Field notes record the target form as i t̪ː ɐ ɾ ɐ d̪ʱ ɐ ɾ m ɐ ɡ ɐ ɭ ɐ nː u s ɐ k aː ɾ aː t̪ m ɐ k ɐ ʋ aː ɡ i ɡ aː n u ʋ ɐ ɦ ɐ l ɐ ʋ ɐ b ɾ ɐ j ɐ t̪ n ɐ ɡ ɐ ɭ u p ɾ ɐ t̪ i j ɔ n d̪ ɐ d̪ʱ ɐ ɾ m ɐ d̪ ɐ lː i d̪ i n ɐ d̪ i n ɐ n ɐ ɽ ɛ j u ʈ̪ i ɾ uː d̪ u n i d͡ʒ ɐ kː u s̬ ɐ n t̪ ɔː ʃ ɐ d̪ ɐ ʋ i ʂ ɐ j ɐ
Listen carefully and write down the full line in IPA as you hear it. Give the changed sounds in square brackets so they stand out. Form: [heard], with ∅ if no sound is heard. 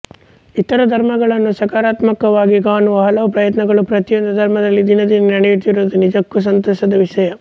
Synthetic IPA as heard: i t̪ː ɐ ɾ ɐ d̪ʱ ɐ ɾ m ɐ ɡ ɐ ɭ ɐ nː u s ɐ k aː ɾ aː t̪ m ɐ k ɐ ʋ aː ɡ i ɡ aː n u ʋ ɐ ɦ ɐ l ɐ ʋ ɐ [p] ɾ ɐ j ɐ t̪ n ɐ ɡ ɐ ɭ u p ɾ ɐ t̪ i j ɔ n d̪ ɐ d̪ʱ ɐ ɾ m ɐ d̪ ɐ lː i d̪ i n ɐ d̪ i n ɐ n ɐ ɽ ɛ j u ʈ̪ i ɾ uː d̪ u n i d͡ʒ ɐ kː u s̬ ɐ n t̪ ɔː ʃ ɐ d̪ ɐ ʋ i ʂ ɐ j ɐ